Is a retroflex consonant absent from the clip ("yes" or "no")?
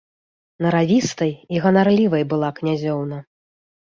yes